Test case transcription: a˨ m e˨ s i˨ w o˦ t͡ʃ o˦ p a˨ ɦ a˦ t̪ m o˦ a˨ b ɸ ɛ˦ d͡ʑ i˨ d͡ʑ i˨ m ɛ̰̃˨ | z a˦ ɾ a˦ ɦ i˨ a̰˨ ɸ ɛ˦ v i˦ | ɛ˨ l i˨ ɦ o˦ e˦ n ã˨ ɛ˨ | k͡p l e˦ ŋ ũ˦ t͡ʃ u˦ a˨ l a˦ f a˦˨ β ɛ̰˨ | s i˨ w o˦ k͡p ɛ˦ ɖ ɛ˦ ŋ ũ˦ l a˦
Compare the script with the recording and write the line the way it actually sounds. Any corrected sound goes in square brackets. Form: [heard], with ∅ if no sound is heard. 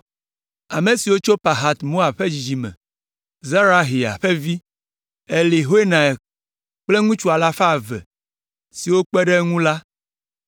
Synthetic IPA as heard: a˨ m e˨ s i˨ w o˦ t͡ʃ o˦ p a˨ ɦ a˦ t̪ m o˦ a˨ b ɸ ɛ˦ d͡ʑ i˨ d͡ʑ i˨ m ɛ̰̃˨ | z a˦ ɾ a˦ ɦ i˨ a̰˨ ɸ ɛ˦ v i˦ | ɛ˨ l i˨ ɦ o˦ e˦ n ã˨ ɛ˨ | k͡p l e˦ ŋ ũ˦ t͡ʃ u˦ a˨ l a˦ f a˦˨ [v] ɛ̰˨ | s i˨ w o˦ k͡p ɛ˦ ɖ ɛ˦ ŋ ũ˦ l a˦